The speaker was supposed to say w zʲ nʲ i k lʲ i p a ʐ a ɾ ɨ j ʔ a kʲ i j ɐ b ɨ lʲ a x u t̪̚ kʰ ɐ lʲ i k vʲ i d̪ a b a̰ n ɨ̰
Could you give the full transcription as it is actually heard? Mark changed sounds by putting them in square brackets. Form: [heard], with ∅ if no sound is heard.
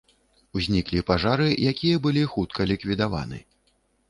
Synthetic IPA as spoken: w zʲ nʲ i k lʲ i p a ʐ a ɾ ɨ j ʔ a kʲ i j ɐ b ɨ lʲ [i] x u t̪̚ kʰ ɐ lʲ i k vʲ i d̪ a [v] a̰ n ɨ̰